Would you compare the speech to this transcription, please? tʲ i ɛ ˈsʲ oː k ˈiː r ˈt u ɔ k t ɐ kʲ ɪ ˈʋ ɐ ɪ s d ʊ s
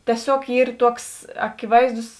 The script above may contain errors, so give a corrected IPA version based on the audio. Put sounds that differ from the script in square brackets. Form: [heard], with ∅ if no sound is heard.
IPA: tʲ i ɛ ˈsʲ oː k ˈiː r ˈt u ɔ k [s] ɐ kʲ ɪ ˈʋ ɐ ɪ [z] d ʊ s